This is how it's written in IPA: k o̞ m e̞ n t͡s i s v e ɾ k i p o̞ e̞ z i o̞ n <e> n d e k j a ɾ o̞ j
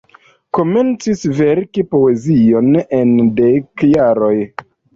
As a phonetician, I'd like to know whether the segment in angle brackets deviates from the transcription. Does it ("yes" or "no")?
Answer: no